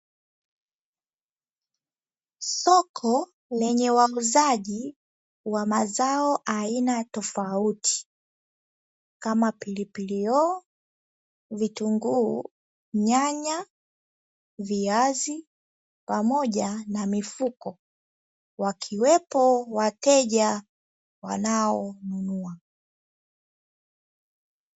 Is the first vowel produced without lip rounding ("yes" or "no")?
no